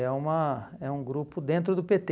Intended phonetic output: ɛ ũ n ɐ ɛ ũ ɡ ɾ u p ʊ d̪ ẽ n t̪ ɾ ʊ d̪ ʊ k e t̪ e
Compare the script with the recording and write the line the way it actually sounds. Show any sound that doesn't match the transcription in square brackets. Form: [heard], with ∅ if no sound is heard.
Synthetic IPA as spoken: ɛ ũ [m] ɐ ɛ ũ ɡ ɾ u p ʊ d̪ ẽ n t̪ ɾ ʊ d̪ ʊ [p] e t̪ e

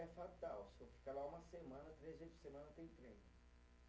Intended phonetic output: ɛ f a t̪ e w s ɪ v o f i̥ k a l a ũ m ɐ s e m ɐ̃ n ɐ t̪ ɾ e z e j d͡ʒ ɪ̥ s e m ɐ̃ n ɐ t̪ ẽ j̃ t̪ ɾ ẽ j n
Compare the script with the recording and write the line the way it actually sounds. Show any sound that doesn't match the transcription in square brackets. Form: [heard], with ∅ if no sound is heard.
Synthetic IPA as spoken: ɛ f a t̪ [a] w s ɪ v o f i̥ k a l a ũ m ɐ s e m ɐ̃ n ɐ t̪ ɾ e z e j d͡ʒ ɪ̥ s e m ɐ̃ n ɐ t̪ ẽ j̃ t̪ ɾ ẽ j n

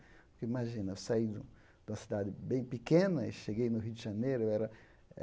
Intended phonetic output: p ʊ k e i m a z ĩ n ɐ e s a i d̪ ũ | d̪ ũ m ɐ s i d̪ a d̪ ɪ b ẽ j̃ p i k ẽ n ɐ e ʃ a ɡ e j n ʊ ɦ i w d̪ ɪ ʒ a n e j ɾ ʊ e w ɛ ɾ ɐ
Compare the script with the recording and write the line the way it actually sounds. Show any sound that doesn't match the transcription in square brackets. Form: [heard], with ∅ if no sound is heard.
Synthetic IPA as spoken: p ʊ k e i m a [ʒ] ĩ n ɐ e s a i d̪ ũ | d̪ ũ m ɐ s i d̪ a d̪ ɪ b ẽ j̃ p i k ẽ n ɐ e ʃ [e] ɡ e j n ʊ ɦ i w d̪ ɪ ʒ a n e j ɾ ʊ e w ɛ ɾ ɐ

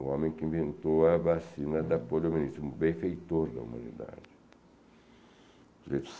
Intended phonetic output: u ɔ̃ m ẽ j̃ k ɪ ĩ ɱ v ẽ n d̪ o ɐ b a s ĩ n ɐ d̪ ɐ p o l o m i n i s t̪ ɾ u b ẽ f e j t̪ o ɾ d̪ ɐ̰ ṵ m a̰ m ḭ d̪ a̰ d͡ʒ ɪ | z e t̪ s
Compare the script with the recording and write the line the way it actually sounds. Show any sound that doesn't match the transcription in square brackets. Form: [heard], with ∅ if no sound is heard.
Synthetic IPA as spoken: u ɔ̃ m ẽ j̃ k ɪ ĩ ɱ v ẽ n [t̪] o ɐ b a s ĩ n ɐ d̪ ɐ p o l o m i n i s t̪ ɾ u b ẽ f e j t̪ o ɾ d̪ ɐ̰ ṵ m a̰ [n] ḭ d̪ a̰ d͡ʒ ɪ | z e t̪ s

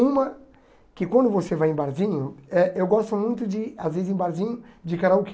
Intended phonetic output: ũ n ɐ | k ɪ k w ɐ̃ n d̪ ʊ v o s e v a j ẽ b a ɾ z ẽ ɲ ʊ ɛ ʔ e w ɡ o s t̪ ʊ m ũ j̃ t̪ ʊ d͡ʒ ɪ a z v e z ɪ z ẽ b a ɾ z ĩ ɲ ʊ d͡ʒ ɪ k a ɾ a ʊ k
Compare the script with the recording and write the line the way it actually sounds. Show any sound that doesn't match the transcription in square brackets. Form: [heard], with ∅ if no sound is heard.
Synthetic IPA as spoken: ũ [m] ɐ | k ɪ k w ɐ̃ n d̪ ʊ v o s e v a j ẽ b a ɾ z [ĩ] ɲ ʊ ɛ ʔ e w ɡ [ɔ] s t̪ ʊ m ũ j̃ t̪ ʊ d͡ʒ ɪ a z v e z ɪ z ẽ b a ɾ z ĩ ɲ ʊ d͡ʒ ɪ k a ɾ a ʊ k

